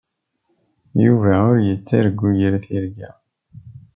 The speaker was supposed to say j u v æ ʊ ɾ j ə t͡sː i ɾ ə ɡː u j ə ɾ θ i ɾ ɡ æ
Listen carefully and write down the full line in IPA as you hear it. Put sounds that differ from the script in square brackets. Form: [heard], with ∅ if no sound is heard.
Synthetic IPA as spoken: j u v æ ʊ ɾ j ə t͡sː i ɾ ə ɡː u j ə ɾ θ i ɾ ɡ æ